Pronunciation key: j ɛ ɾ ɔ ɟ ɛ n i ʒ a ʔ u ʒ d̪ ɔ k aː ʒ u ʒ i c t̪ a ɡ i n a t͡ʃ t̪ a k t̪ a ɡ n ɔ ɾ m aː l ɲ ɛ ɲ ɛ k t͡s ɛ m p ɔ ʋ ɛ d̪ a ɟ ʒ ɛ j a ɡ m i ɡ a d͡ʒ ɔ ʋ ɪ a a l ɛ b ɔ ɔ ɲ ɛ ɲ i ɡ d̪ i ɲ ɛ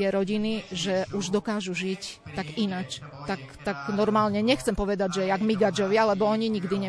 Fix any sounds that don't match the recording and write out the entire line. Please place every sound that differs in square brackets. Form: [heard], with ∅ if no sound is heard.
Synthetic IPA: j ɛ ɾ ɔ ɟ [i] n i ʒ [ɛ] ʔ u ʒ d̪ ɔ k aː ʒ u ʒ i c t̪ a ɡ i n a t͡ʃ t̪ a k t̪ a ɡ n ɔ ɾ m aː l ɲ ɛ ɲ ɛ [x] t͡s ɛ m p ɔ ʋ ɛ d̪ a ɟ ʒ ɛ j a ɡ m i ɡ a d͡ʒ ɔ ʋ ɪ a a l ɛ b ɔ ɔ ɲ [i] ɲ i ɡ d̪ i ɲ ɛ